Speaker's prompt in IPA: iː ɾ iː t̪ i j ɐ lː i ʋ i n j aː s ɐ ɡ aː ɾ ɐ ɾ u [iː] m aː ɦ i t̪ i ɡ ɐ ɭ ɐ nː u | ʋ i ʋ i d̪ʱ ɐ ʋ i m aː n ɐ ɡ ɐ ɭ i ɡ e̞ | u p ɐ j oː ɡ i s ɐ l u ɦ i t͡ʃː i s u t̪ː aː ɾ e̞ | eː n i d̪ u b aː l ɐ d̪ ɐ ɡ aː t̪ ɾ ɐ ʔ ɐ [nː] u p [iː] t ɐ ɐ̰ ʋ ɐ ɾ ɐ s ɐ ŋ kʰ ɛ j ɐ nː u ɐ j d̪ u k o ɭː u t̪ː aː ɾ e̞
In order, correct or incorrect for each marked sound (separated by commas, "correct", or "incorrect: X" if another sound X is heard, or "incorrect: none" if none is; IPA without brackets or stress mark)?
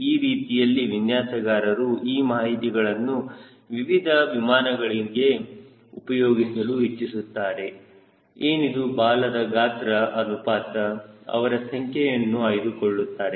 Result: correct, incorrect: n, incorrect: aː